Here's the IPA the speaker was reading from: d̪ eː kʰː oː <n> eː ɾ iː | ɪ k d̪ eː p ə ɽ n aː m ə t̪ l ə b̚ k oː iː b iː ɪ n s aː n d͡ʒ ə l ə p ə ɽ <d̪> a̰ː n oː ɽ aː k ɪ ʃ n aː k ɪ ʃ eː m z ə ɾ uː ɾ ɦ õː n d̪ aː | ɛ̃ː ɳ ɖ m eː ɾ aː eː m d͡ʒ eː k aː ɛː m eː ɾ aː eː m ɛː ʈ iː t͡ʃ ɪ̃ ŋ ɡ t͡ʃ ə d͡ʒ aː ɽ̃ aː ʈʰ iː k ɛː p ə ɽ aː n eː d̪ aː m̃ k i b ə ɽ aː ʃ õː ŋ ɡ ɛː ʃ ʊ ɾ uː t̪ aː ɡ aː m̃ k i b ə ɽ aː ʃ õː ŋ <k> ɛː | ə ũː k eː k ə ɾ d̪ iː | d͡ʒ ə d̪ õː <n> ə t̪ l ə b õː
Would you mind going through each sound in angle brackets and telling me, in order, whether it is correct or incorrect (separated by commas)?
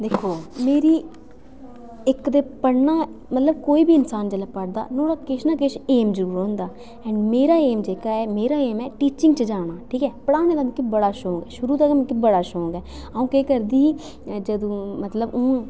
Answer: incorrect, correct, incorrect, incorrect